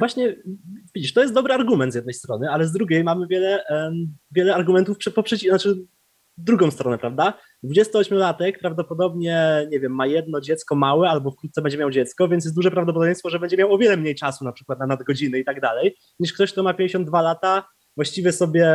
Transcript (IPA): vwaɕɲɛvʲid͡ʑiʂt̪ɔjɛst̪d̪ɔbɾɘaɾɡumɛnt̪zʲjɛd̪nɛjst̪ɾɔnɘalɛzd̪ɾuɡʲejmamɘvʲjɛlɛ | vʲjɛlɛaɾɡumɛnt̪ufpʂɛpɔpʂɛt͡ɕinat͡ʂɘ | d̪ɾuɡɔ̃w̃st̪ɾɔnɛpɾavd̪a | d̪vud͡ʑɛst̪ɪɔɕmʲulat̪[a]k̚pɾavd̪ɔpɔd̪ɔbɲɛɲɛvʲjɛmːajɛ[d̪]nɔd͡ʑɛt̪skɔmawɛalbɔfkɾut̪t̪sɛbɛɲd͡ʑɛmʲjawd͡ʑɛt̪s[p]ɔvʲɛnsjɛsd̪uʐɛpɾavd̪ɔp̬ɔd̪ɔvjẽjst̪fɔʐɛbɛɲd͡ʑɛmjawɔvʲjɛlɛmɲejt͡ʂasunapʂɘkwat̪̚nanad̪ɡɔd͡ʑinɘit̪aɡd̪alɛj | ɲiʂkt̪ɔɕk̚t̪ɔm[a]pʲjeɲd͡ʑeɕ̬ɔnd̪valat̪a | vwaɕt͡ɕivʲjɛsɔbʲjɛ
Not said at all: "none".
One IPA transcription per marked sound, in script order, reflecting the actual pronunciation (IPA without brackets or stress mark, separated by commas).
ɛ, d̪, k, a